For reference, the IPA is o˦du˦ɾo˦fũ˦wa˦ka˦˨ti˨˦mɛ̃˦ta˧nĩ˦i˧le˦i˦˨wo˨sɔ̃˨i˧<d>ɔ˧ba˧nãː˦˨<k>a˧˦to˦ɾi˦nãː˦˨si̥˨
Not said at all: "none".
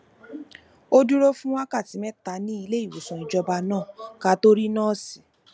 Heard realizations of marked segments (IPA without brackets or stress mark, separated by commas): d͡ʒ, k